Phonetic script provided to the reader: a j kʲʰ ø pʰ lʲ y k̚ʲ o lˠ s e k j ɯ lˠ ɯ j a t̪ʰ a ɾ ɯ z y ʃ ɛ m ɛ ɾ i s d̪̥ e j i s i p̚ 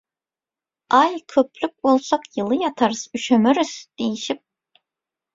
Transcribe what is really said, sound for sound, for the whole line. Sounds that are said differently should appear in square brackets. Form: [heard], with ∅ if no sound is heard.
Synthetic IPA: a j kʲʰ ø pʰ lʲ y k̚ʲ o lˠ s [a] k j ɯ lˠ ɯ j a t̪ʰ a ɾ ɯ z y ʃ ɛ m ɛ ɾ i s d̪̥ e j i [ʃ] i p̚

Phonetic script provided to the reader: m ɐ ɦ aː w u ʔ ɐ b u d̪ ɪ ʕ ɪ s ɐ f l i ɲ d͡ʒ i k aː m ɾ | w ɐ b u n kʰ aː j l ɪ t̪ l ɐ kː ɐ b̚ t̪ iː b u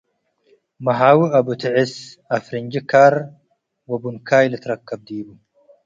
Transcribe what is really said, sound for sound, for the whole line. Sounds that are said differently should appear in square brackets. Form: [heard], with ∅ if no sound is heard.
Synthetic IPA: m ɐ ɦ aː w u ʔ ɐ b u [t̪] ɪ ʕ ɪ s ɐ f [ɾ] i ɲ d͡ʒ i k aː [∅] ɾ | w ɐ b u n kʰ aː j l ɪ t̪ [ɾ] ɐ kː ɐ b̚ [d̪] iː b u

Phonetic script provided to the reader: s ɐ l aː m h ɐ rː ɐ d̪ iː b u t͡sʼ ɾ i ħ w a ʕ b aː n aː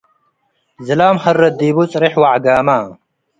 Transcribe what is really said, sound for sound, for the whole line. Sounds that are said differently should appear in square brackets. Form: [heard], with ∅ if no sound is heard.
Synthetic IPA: [z] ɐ l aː m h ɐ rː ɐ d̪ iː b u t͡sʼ ɾ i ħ w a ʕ [ɡ] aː [m] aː

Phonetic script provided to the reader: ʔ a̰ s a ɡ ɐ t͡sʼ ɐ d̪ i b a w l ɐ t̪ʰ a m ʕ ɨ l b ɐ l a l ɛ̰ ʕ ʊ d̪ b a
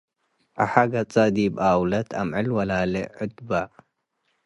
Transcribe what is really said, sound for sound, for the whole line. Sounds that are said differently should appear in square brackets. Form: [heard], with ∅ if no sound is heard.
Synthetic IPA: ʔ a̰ [ħ] a ɡ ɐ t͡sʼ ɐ d̪ i b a w l ɐ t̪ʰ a m ʕ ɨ l [w] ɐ l a l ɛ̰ ʕ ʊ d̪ b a

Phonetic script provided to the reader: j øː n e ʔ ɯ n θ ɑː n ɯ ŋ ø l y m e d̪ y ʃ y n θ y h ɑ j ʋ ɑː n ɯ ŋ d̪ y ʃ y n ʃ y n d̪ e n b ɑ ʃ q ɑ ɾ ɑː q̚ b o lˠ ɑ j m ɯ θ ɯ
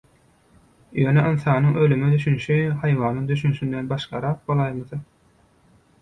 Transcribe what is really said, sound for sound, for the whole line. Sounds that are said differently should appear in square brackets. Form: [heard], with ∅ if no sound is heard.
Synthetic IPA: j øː n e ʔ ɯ n θ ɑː n ɯ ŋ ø l y m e d̪ y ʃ y n [ʃ] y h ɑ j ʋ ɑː n ɯ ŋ d̪ y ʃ y n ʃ y n d̪ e n b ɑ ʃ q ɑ ɾ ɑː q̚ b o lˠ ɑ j m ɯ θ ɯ

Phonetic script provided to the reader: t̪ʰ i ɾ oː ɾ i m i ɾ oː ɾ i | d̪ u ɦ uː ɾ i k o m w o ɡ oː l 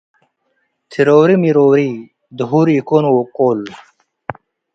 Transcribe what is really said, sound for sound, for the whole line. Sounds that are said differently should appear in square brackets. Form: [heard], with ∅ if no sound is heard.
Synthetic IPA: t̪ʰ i ɾ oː ɾ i m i ɾ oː ɾ i | d̪ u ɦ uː ɾ i k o [n] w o [k] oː l

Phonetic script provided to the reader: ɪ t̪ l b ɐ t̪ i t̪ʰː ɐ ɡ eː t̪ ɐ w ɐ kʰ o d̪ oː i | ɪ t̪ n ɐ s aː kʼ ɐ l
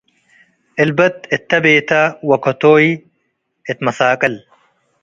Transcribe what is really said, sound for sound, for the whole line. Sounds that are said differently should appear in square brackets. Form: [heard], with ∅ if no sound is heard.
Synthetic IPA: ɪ [∅] l b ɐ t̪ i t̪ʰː ɐ [b] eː t̪ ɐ w ɐ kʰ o [t̪] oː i | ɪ t̪ [m] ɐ s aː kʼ ɐ l

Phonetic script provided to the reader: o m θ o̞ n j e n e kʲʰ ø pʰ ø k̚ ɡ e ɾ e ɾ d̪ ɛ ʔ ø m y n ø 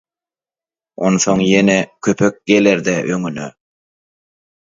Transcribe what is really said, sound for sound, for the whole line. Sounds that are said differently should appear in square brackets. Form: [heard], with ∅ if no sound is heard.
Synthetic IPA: o [n] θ o̞ [ŋ] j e n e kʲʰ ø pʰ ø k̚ ɡ e [l] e ɾ d̪ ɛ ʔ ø [ŋ] y n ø

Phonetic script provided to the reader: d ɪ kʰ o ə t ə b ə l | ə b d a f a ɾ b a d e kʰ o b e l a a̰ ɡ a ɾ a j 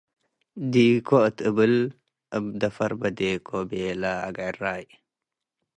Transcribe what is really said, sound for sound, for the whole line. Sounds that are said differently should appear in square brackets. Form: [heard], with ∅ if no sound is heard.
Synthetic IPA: d [i] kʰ o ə t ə b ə l | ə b d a f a ɾ b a d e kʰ o b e l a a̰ ɡ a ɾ a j

